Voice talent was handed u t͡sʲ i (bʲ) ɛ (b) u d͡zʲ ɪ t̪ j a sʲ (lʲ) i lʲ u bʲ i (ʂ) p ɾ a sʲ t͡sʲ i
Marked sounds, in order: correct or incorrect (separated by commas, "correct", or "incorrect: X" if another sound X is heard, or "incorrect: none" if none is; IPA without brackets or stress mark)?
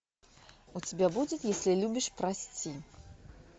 correct, correct, correct, correct